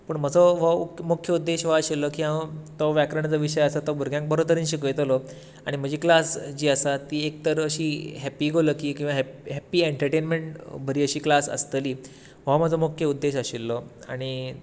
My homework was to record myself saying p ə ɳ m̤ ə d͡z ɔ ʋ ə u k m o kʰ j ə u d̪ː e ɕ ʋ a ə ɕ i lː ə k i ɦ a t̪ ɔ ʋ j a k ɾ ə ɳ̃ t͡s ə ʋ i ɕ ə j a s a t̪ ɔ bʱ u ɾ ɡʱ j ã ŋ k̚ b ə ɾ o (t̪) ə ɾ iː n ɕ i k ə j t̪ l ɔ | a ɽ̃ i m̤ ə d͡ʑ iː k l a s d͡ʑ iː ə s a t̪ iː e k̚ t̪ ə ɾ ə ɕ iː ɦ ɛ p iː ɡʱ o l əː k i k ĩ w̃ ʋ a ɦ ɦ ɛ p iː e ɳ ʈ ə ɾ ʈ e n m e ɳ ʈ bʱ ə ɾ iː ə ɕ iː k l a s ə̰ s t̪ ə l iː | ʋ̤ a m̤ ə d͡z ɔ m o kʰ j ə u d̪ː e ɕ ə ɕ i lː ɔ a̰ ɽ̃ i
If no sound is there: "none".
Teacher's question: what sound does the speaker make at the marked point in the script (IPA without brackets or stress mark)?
t̪